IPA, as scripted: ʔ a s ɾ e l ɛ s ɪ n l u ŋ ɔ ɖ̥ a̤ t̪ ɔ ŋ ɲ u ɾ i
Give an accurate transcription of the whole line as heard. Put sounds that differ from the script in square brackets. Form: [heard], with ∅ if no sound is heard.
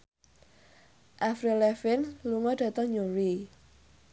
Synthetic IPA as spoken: ʔ a [f] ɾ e l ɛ [f] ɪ n l u ŋ ɔ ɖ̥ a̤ t̪ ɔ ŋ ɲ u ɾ i